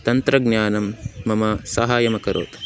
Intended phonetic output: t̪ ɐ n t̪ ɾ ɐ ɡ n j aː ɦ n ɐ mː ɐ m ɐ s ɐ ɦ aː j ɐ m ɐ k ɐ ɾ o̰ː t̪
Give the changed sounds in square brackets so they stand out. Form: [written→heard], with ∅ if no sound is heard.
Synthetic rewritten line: t̪ ɐ n t̪ ɾ ɐ ɡ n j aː [ɦ→∅] n ɐ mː ɐ m ɐ s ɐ ɦ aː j ɐ m ɐ k ɐ ɾ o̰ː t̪